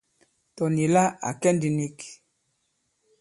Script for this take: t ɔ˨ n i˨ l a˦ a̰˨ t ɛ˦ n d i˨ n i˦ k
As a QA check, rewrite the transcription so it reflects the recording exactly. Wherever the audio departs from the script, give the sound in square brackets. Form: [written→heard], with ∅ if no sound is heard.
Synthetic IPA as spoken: t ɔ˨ n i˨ l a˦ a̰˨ [t→k] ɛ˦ n d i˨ n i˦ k